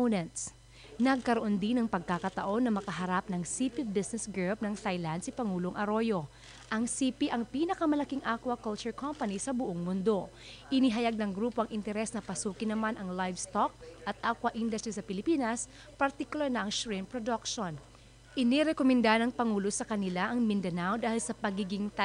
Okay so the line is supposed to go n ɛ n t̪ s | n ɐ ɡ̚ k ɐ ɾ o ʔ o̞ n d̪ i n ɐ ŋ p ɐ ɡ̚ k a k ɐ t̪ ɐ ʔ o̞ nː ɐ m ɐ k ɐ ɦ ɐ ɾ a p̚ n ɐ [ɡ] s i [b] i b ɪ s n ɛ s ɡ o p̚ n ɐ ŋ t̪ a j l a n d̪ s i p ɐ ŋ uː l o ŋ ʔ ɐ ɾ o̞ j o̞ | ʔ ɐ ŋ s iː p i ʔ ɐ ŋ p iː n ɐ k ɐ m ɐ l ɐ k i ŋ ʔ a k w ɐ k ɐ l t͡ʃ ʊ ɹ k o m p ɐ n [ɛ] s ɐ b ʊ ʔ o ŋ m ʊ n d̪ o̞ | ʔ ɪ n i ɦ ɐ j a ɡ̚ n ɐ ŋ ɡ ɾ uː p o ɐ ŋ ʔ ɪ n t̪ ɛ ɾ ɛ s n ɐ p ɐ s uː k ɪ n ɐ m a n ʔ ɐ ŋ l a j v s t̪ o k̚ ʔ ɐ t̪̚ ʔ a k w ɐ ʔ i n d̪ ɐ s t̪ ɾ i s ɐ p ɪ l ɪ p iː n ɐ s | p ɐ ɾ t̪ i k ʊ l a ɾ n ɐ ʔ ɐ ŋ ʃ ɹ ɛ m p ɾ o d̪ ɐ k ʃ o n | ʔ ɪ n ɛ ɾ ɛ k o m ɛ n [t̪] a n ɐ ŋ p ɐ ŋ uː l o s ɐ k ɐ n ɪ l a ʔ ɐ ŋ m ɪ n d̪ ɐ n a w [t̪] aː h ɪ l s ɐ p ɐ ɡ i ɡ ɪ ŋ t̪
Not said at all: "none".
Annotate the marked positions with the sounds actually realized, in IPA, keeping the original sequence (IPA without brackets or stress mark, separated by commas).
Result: ŋ, p, i, d̪, d̪